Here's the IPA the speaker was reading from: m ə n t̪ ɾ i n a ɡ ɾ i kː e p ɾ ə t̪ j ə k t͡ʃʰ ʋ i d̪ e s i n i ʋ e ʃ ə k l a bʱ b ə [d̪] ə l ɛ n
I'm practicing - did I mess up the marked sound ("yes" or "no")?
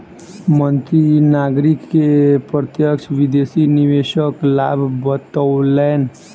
yes